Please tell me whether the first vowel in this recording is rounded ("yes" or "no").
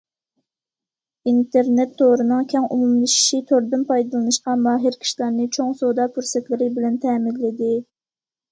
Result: no